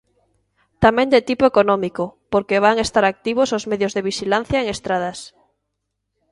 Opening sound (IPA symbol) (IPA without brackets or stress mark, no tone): t̪